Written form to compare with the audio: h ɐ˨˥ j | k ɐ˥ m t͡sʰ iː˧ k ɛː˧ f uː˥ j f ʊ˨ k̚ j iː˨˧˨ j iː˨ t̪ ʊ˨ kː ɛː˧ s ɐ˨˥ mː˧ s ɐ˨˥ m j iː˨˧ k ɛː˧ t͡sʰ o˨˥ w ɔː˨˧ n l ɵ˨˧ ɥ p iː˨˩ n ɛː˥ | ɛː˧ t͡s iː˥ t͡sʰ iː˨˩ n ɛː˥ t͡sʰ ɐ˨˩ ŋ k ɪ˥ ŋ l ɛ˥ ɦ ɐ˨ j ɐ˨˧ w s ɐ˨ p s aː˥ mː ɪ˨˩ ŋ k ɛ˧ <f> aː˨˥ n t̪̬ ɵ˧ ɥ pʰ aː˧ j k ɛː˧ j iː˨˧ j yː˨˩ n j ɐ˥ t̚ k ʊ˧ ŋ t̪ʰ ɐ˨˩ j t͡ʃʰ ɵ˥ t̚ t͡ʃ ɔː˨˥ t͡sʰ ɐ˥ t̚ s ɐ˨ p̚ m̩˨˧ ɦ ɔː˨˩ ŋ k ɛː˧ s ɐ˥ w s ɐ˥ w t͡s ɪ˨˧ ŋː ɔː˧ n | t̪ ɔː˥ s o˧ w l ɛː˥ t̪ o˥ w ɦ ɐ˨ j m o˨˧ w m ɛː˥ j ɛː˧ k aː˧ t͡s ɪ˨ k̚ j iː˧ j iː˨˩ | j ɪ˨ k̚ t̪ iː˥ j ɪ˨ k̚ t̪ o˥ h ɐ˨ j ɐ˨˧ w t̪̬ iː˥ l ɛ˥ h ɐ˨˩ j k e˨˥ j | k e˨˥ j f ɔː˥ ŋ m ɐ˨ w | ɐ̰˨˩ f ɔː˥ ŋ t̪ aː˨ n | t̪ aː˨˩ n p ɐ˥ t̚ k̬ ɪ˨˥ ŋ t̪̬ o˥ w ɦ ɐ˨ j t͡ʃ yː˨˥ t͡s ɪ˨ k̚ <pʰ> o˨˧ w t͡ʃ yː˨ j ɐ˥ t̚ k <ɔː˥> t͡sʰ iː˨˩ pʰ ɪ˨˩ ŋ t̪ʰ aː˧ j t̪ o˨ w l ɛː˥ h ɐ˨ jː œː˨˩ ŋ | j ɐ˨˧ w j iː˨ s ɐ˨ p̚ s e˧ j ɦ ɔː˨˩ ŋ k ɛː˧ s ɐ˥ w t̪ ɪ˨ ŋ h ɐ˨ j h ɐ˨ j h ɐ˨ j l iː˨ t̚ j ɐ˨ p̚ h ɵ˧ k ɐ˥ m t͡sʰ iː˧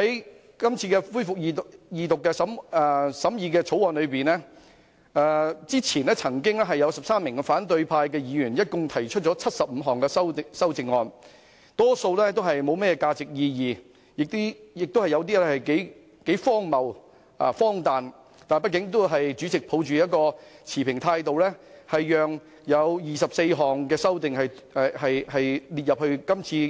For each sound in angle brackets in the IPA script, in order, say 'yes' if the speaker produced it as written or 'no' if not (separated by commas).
yes, yes, no